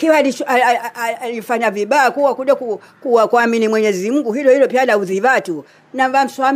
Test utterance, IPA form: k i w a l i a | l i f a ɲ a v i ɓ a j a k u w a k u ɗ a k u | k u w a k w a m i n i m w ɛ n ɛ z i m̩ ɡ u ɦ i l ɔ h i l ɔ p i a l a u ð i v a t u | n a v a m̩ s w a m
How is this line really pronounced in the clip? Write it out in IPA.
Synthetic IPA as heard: k i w a l i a | l i f a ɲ a v i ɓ a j a k u w a k u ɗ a k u | k u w a k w a m i n i m w ɛ ɲ ɛ z i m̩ ɡ u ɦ i l ɔ h i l ɔ p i a l a u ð i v a t u | n a v a m̩ s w a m